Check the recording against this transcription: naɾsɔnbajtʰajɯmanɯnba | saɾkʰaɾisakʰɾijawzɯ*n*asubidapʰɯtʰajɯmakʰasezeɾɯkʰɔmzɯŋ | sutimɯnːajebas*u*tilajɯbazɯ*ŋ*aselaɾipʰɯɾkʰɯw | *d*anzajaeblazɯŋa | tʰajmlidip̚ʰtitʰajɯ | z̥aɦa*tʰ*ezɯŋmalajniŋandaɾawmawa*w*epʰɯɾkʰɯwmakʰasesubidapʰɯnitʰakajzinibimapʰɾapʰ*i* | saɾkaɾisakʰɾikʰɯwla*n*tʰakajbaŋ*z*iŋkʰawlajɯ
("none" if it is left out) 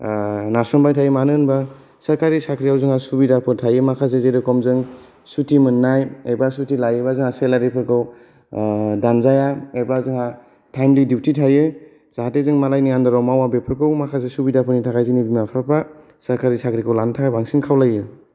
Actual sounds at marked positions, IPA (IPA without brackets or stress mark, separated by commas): ŋ, u, ŋ, d, t, b, a, n, s